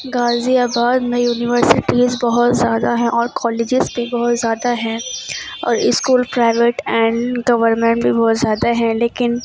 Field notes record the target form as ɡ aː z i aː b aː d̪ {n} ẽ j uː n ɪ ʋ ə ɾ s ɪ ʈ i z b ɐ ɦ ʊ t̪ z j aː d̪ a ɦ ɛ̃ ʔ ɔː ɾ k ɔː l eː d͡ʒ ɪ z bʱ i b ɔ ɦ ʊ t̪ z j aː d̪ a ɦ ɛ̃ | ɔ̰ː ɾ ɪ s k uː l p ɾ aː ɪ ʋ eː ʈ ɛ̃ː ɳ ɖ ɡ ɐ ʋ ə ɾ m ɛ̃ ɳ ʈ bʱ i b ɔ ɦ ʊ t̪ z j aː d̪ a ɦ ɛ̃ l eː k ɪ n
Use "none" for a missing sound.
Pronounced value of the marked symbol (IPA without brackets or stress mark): m